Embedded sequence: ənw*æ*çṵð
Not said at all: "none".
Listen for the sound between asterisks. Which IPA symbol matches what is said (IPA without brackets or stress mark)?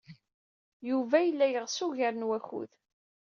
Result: æ